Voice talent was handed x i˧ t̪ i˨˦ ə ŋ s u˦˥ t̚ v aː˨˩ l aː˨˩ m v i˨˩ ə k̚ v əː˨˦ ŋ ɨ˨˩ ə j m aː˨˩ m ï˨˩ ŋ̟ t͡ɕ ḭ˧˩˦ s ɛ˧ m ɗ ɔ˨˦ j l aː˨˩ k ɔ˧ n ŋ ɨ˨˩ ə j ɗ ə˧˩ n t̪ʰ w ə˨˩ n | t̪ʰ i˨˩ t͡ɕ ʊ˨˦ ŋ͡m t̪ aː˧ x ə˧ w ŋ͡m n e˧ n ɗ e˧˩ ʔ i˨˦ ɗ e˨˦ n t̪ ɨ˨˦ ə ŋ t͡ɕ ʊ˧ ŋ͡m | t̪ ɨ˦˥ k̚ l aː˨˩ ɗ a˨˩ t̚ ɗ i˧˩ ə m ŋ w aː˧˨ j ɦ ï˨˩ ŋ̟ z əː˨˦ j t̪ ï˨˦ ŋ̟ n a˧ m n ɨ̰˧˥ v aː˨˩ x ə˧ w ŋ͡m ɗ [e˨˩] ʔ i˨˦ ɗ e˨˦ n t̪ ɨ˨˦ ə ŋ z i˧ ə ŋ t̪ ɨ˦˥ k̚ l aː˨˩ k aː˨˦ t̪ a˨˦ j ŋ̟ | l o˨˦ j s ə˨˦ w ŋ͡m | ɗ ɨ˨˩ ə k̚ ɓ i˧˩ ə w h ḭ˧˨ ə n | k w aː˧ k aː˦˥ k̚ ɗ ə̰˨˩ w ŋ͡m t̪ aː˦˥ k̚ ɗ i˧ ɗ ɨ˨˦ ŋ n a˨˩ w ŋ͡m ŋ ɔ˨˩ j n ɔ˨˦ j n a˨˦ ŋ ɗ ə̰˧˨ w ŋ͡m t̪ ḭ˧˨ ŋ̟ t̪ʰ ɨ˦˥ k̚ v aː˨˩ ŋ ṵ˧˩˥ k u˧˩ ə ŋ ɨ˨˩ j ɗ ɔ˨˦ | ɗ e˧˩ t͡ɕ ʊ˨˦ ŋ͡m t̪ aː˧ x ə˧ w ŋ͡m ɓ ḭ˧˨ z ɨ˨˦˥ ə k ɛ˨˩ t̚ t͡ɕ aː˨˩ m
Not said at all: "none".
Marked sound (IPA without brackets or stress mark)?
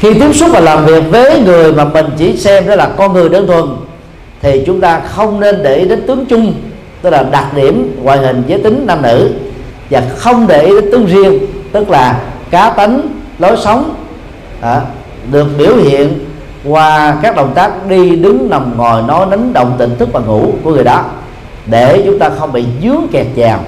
e˨˩